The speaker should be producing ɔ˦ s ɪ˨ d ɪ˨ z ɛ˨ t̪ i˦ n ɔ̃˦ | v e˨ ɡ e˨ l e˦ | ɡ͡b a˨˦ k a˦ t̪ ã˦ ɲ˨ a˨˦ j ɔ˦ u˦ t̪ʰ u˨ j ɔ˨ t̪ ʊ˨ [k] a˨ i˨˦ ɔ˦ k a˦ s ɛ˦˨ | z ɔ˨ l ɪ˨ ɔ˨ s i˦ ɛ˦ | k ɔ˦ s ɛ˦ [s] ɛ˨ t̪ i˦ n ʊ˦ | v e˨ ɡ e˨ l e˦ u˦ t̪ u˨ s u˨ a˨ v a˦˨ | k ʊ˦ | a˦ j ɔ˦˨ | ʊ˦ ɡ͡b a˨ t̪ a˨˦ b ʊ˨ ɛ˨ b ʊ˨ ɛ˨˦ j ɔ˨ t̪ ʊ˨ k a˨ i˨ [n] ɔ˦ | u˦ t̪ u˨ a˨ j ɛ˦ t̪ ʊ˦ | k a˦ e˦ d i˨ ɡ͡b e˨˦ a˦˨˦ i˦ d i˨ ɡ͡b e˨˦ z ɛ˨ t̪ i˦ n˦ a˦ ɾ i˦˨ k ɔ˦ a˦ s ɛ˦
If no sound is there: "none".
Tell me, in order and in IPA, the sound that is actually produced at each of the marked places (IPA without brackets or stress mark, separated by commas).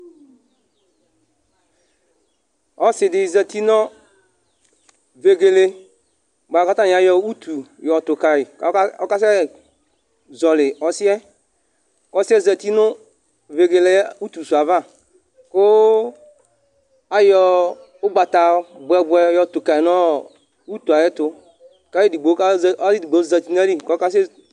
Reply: k, z, n